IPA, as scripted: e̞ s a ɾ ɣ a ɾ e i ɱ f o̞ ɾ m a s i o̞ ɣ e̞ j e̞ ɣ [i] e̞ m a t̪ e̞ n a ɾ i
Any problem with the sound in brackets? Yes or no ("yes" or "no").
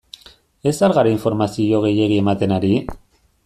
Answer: no